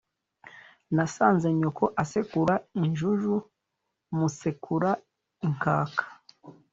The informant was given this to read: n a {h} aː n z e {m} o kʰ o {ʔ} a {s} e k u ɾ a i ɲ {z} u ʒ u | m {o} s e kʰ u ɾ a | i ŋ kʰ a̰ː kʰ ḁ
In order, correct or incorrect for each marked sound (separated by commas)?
incorrect, incorrect, correct, correct, incorrect, incorrect